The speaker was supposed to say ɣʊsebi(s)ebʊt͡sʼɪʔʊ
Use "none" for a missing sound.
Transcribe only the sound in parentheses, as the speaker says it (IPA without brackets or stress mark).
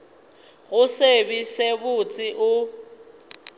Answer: s